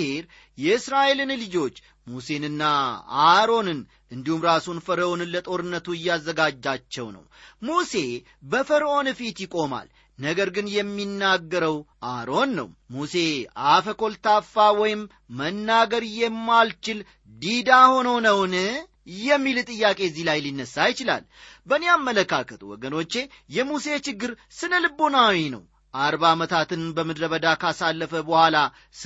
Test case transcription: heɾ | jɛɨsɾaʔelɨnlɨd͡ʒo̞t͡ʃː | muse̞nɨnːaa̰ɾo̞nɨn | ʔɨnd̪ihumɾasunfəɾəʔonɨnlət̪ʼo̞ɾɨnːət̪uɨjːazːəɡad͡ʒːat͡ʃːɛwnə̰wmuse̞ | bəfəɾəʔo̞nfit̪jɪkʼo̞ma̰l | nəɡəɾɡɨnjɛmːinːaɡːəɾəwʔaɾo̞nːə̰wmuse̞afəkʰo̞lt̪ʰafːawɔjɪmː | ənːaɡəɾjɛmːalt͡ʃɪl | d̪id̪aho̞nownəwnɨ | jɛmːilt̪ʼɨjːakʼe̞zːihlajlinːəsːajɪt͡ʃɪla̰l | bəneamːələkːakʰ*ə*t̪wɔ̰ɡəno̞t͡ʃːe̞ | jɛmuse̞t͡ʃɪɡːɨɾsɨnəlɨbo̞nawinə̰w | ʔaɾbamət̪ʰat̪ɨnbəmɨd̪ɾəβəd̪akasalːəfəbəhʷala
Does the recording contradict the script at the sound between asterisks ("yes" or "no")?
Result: no